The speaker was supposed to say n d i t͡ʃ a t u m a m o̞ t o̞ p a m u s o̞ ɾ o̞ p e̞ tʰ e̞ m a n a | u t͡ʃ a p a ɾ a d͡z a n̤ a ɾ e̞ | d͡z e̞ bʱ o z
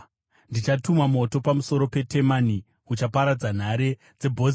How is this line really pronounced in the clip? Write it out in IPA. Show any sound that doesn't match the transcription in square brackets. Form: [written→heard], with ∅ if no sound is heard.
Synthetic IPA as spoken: n d i t͡ʃ a t u m a m o̞ t o̞ p a m u s o̞ ɾ o̞ p e̞ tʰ e̞ m a n [a→i] | u t͡ʃ a p a ɾ a d͡z a n̤ a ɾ e̞ | d͡z e̞ bʱ o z